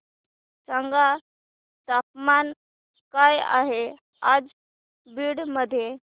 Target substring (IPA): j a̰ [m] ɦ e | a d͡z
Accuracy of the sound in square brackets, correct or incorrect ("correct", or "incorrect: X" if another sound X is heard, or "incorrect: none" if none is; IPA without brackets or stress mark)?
incorrect: none